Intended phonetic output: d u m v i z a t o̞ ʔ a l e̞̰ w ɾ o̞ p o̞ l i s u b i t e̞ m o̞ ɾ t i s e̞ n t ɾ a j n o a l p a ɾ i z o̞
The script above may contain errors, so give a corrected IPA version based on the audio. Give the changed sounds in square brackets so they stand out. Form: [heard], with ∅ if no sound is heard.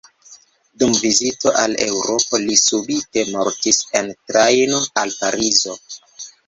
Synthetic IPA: d u m v i z [i] t o̞ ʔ a l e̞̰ w ɾ o̞ p o̞ l i s u b i t e̞ m o̞ ɾ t i s e̞ n t ɾ a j n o a l p a ɾ i z o̞